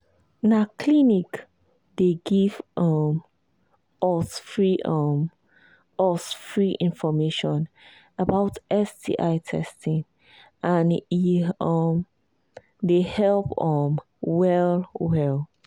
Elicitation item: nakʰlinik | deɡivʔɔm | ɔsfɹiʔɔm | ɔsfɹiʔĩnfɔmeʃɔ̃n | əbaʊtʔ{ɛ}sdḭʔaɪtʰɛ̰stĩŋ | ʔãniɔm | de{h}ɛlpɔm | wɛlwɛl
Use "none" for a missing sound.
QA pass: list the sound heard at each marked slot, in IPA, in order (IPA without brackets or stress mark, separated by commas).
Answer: ɛ, h